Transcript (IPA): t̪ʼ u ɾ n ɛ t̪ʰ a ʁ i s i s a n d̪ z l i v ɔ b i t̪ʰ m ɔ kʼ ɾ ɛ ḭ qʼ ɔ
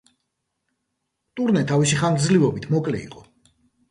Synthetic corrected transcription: t̪ʼ u ɾ n ɛ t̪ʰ a v i s i χ a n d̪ z l i v ɔ b i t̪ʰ m ɔ kʼ l ɛ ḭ qʼ ɔ